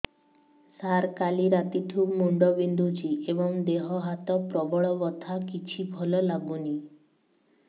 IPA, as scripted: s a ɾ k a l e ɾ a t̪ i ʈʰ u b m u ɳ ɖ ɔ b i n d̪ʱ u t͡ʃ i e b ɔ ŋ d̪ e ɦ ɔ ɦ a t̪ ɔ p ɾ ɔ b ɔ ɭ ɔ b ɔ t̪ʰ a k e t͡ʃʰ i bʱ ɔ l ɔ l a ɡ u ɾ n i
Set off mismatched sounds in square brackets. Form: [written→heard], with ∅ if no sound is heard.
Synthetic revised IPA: s a ɾ k a l [e→i] ɾ a t̪ i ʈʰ u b m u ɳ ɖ ɔ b i n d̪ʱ u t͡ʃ i e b ɔ ŋ d̪ e ɦ ɔ ɦ a t̪ ɔ p ɾ ɔ b ɔ ɭ ɔ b ɔ t̪ʰ a k [e→i] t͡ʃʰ i bʱ ɔ l ɔ l a ɡ u [ɾ→∅] n i